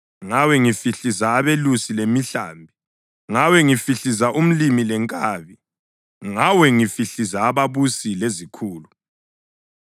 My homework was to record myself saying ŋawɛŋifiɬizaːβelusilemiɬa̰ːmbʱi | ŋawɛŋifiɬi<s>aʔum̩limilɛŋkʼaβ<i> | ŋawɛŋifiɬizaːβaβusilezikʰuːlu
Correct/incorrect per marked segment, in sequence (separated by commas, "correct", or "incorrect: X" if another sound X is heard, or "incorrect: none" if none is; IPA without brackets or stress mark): incorrect: z, correct